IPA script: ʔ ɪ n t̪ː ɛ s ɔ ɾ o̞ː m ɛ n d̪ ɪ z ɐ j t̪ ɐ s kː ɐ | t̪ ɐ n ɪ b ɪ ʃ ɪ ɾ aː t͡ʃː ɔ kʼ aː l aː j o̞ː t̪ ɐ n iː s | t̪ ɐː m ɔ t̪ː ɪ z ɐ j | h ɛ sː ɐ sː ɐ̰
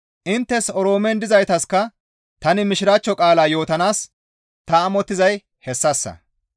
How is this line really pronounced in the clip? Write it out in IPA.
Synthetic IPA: ʔ ɪ n t̪ː ɛ s ɔ ɾ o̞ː m ɛ n d̪ ɪ z ɐ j t̪ ɐ s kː ɐ | t̪ ɐ n ɪ m ɪ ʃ ɪ ɾ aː t͡ʃː ɔ kʼ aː l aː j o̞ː t̪ ɐ n aː s | t̪ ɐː m ɔ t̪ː ɪ z ɐ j | h ɛ sː ɐ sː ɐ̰